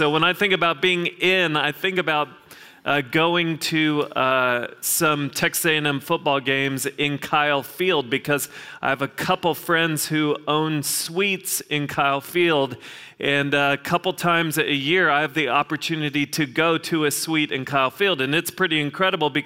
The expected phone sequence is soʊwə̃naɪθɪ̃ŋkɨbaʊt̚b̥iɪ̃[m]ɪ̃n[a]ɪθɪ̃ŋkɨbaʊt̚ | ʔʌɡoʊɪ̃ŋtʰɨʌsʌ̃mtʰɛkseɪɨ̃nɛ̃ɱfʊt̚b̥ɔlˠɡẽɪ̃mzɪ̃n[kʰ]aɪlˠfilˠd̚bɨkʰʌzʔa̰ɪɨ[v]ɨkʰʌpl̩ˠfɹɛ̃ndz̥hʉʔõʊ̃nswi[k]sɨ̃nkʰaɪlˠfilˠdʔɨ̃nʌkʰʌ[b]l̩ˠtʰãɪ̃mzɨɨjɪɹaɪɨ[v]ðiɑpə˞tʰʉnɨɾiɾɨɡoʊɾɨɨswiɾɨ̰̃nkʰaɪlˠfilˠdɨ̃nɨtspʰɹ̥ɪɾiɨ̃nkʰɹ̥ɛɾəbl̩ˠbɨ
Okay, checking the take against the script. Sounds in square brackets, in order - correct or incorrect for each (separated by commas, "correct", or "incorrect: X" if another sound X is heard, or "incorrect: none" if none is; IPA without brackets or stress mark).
incorrect: ŋ, correct, correct, correct, incorrect: t, incorrect: p, correct